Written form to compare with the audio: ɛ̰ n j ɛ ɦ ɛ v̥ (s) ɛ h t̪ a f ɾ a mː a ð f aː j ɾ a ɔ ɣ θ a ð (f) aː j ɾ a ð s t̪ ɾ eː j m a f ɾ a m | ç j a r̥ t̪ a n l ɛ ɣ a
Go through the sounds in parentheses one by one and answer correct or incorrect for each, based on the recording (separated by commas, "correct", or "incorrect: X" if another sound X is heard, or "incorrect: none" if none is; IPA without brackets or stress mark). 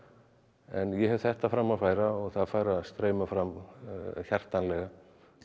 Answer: incorrect: θ, correct